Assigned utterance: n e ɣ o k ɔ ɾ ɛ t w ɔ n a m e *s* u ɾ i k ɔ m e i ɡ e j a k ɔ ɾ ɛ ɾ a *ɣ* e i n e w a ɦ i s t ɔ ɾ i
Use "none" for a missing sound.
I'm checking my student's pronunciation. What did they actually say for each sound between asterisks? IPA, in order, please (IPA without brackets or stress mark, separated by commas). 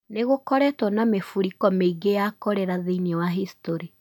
f, ð